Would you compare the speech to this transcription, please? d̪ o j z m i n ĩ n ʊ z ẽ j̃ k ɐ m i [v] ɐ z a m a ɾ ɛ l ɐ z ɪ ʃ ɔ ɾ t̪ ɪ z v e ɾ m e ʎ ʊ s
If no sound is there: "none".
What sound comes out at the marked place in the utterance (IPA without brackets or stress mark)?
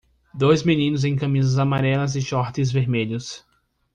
z